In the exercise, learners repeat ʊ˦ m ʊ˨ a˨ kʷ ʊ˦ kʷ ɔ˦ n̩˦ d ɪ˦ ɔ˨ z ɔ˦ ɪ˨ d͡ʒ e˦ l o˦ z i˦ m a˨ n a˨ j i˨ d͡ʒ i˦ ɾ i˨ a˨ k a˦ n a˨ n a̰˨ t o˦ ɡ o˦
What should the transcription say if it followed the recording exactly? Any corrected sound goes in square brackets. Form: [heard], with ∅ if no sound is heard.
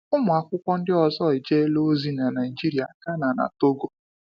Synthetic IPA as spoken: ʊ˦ m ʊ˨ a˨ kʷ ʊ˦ kʷ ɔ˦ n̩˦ d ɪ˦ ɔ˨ z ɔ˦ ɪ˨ d͡ʒ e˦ l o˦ z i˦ [n] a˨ n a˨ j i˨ d͡ʒ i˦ ɾ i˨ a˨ k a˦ n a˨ n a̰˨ t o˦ ɡ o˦